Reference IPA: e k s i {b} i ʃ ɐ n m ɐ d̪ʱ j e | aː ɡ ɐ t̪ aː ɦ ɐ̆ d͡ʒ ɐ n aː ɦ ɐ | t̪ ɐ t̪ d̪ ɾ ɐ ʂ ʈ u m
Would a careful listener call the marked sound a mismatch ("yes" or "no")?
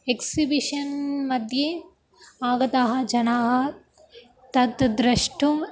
no